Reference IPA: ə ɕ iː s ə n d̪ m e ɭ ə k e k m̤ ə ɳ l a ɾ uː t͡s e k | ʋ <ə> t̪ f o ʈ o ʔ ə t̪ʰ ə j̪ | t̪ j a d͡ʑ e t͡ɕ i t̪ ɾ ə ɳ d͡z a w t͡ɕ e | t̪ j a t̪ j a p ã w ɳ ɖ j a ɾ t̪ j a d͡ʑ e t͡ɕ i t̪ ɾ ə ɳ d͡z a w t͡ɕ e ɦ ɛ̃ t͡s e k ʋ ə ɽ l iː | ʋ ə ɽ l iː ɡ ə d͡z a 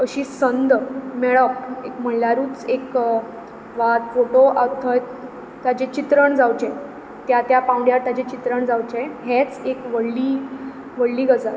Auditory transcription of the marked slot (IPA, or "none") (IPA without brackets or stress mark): a